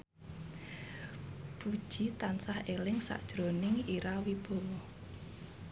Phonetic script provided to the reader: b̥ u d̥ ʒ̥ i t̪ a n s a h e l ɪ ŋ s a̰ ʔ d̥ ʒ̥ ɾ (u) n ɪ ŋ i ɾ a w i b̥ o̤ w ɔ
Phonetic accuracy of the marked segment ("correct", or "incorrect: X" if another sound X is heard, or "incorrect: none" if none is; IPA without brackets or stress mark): incorrect: o